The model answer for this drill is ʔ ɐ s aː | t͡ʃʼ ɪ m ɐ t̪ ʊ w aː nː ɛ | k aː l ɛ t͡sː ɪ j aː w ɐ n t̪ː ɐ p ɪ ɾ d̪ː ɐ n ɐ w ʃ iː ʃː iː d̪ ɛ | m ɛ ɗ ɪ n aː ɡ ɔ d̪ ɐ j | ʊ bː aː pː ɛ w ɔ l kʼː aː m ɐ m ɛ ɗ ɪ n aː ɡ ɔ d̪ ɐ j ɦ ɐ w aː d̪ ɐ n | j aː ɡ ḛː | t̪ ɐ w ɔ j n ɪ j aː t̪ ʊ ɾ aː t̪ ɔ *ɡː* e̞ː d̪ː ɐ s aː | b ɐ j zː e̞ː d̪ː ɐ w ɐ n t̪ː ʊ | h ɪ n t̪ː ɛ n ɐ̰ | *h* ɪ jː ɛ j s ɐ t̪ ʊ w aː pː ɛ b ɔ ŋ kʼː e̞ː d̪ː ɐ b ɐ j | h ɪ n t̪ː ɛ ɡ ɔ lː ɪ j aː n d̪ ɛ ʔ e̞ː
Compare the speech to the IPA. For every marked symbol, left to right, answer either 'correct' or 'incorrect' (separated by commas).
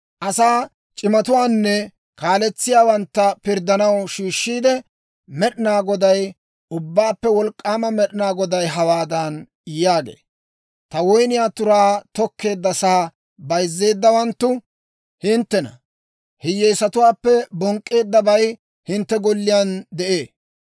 incorrect, correct